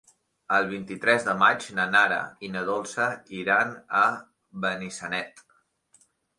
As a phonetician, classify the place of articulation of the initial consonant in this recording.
alveolar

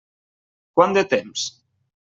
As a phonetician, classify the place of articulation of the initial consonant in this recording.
velar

